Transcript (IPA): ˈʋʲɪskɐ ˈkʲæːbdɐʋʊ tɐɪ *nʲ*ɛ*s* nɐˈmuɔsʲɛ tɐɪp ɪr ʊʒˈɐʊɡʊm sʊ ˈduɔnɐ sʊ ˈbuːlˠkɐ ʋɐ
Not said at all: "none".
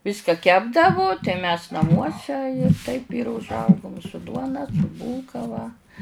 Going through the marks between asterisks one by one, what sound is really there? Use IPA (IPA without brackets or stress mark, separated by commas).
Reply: mʲ, s